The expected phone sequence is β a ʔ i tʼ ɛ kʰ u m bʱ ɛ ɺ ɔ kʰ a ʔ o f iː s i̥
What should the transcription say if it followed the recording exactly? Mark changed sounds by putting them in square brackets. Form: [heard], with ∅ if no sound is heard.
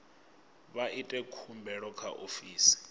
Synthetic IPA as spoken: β a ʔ i tʼ ɛ kʰ u m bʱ ɛ ɺ ɔ kʰ a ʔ o f iː s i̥

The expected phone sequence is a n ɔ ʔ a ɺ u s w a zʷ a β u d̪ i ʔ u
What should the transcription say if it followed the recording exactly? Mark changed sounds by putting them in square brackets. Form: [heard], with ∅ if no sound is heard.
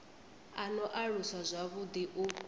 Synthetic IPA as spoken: a n ɔ ʔ a ɺ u s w a zʷ a β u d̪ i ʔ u

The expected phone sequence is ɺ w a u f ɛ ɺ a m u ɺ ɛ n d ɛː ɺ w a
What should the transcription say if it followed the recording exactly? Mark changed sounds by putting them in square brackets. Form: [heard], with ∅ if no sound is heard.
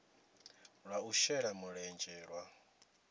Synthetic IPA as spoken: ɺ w a u [ʃ] ɛ ɺ a m u ɺ ɛ n [d͡ʒ] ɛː ɺ w a

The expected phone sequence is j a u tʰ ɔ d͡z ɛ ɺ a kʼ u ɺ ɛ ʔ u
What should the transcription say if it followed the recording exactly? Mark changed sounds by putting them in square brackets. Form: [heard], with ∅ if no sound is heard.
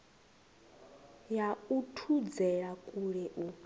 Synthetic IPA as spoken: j a u tʰ [u] d͡z ɛ ɺ a kʼ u ɺ ɛ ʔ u

